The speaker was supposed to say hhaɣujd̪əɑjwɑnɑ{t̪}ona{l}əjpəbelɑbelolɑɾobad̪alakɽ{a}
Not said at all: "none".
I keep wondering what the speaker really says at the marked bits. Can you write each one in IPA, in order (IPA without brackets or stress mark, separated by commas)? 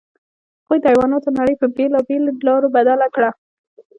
t̪, ɽ, a